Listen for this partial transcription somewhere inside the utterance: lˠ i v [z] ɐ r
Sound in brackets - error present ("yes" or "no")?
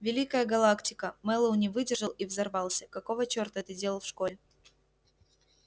no